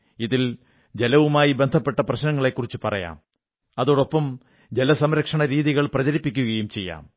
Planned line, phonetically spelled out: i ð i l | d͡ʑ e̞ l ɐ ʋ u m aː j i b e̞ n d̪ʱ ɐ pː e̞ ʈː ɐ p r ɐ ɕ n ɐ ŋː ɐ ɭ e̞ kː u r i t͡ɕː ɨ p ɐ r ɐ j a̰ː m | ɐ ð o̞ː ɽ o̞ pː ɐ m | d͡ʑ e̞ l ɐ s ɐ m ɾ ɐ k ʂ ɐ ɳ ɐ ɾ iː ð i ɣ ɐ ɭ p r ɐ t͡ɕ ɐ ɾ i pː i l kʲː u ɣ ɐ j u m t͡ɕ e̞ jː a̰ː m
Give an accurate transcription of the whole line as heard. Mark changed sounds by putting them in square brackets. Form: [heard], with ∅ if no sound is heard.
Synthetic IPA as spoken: i ð i l | d͡ʑ e̞ l ɐ ʋ u m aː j i b e̞ n d̪ʱ ɐ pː e̞ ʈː ɐ p r ɐ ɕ n ɐ ŋː ɐ ɭ e̞ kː u r i t͡ɕː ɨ p ɐ r ɐ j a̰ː m | ɐ ð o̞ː ɽ o̞ pː ɐ m | d͡ʑ e̞ l ɐ s ɐ m ɾ ɐ k ʂ ɐ ɳ ɐ ɾ iː ð i ɣ ɐ ɭ p r ɐ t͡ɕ ɐ ɾ i pː i [∅] kʲː u ɣ ɐ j u m t͡ɕ e̞ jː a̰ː m

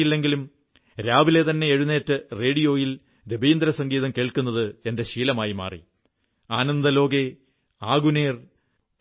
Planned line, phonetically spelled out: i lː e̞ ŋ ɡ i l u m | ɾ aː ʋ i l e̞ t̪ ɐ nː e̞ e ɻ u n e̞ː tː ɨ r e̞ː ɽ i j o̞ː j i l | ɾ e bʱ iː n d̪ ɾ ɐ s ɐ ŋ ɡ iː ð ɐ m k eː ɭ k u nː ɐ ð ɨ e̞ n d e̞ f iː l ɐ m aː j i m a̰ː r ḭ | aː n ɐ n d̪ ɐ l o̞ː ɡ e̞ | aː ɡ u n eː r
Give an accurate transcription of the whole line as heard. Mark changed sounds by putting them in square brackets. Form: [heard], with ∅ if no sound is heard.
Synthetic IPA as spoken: i lː e̞ ŋ ɡ i l u m | ɾ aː ʋ i l e̞ t̪ ɐ nː e̞ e ɻ u n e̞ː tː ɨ r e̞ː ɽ i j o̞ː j i l | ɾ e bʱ iː n d̪ ɾ ɐ s ɐ ŋ ɡ iː ð ɐ m k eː ɭ k u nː ɐ ð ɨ e̞ n d e̞ [ɕ] iː l ɐ m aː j i m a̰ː r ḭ | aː n ɐ n d̪ ɐ l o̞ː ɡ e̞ | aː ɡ u n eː r

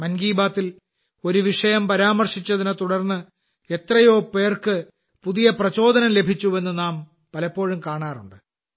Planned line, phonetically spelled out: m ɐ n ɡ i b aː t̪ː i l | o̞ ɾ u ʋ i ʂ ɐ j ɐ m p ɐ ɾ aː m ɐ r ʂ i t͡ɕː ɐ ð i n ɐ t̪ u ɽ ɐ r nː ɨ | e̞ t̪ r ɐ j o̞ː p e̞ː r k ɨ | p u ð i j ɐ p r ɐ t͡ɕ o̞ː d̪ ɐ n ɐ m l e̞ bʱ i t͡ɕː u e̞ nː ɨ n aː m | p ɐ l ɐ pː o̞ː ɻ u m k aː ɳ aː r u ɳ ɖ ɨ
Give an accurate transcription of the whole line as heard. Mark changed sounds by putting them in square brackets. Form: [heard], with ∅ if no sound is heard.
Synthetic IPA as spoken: m ɐ n ɡ [iː] b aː t̪ː i l | o̞ ɾ u ʋ i ʂ ɐ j ɐ m p ɐ ɾ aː m ɐ r ʂ i t͡ɕː ɐ ð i n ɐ t̪ u ɽ ɐ r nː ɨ | e̞ t̪ r ɐ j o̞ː p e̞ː r k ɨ | p u ð i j ɐ p r ɐ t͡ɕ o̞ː d̪ ɐ n ɐ m l e̞ bʱ i t͡ɕː u e̞ nː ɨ n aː m | p ɐ l ɐ pː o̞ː ɻ u m k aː ɳ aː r u ɳ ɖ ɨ

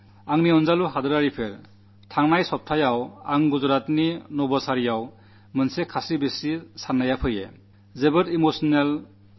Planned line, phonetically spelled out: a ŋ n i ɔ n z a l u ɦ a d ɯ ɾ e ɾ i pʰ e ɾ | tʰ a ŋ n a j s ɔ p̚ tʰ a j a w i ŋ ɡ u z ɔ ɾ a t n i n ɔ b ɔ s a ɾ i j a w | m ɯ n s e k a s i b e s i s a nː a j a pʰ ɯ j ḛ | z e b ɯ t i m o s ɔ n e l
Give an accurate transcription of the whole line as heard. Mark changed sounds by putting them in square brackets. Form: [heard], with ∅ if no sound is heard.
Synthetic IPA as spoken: a ŋ n i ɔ n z a l u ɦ a d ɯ ɾ [a] ɾ i pʰ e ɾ | tʰ a ŋ n a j s ɔ p̚ tʰ a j a w [a] ŋ ɡ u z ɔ ɾ a t n i n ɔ b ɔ s a ɾ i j a w | m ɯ n s e [kʰ] a s i b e s i s a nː a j a pʰ ɯ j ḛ | z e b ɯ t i m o s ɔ n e l

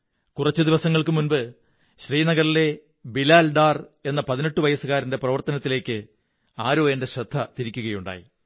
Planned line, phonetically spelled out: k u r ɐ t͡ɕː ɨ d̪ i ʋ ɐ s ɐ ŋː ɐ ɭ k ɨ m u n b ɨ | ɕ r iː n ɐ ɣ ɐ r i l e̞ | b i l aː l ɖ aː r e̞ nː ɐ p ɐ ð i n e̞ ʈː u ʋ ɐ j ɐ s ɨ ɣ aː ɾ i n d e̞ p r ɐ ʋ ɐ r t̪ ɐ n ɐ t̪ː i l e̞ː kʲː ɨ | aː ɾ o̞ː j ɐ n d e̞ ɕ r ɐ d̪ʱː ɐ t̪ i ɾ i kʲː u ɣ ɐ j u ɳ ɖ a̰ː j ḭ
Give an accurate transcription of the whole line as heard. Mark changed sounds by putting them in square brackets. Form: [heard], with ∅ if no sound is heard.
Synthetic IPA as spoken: k u r ɐ t͡ɕː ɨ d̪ i ʋ ɐ s ɐ ŋː ɐ ɭ k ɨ m u n b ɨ | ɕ r iː n ɐ ɣ ɐ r i l e̞ | b i l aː l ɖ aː r e̞ nː ɐ p ɐ ð i n e̞ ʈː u ʋ ɐ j ɐ s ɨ ɣ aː ɾ i n d e̞ p r ɐ ʋ ɐ r t̪ ɐ n ɐ t̪ː i l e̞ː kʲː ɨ | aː ɾ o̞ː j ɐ n d e̞ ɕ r ɐ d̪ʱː ɐ t̪ i ɾ i kʲː u ɣ ɐ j u ɳ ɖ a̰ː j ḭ

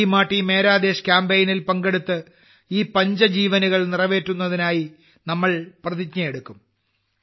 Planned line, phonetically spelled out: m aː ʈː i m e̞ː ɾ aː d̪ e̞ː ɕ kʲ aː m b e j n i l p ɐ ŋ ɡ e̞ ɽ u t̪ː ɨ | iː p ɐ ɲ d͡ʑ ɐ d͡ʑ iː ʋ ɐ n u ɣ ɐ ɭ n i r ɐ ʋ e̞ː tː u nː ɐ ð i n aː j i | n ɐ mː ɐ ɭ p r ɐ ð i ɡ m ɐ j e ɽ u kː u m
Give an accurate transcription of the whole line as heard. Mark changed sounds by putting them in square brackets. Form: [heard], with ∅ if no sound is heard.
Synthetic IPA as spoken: m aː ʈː i m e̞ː ɾ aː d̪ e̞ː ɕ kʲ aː m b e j n i l p ɐ ŋ ɡ e̞ ɽ u t̪ː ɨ | iː p ɐ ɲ d͡ʑ ɐ d͡ʑ iː ʋ ɐ n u ɣ ɐ ɭ n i r ɐ ʋ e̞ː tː u nː ɐ ð i n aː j i | n ɐ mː ɐ ɭ p r ɐ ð i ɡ [ɲ] ɐ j e ɽ u kː u m

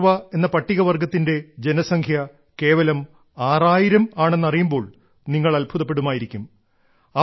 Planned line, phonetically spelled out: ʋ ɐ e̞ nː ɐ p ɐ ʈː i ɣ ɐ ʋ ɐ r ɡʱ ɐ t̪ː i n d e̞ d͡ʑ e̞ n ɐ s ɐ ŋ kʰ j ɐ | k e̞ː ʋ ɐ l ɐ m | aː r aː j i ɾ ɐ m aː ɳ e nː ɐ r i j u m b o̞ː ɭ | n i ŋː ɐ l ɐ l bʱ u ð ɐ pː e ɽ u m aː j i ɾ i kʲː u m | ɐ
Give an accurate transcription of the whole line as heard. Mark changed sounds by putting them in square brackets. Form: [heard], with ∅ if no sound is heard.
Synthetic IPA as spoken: ʋ ɐ e̞ nː ɐ p ɐ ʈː i ɣ ɐ ʋ ɐ r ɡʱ ɐ t̪ː i n d e̞ d͡ʑ e̞ n ɐ s ɐ ŋ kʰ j ɐ | k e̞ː ʋ ɐ l ɐ m | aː r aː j i ɾ ɐ m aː ɳ e nː ɐ r i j u m b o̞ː ɭ | n i ŋː ɐ [ɭ] ɐ l bʱ u ð ɐ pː e ɽ u m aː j i ɾ i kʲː u m | ɐ

